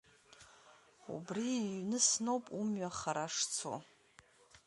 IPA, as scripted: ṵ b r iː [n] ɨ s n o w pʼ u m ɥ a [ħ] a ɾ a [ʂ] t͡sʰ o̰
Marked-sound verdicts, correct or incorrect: correct, incorrect, correct

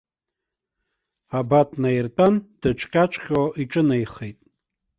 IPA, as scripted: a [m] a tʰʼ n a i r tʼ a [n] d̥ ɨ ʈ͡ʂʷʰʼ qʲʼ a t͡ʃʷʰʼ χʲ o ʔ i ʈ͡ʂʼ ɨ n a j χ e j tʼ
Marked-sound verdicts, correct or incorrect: incorrect, correct

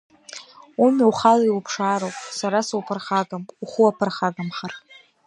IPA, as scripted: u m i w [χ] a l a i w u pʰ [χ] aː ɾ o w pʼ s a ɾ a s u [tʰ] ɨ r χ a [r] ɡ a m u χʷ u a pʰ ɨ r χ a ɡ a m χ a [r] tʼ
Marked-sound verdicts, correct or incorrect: correct, incorrect, incorrect, incorrect, correct

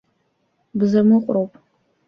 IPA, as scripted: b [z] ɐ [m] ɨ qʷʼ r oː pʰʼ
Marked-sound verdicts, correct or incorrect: correct, correct

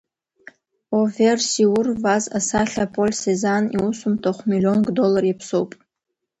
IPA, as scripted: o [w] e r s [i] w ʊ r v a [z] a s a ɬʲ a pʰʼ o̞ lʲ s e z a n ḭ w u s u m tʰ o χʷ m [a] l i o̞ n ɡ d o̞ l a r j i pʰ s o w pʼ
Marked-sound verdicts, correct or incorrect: incorrect, correct, correct, incorrect

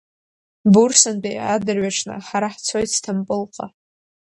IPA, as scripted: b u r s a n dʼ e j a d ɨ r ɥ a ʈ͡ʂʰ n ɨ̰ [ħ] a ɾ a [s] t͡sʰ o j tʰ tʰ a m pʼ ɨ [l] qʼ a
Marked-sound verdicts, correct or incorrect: correct, incorrect, correct

